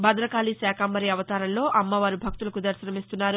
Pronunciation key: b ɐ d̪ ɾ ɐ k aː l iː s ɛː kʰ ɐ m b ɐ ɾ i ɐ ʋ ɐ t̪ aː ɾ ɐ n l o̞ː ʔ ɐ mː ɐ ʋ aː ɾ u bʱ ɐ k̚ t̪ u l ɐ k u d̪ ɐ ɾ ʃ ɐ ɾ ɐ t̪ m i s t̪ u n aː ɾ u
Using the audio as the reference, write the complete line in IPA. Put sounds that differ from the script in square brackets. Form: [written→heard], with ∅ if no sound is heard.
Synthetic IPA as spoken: b ɐ d̪ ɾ ɐ k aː l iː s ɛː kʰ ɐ m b ɐ ɾ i ɐ ʋ ɐ t̪ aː ɾ ɐ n l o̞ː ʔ ɐ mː ɐ ʋ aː ɾ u bʱ ɐ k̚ t̪ u l ɐ k u d̪ ɐ ɾ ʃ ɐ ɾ ɐ [t̪→∅] m i s t̪ u [n→nː] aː ɾ u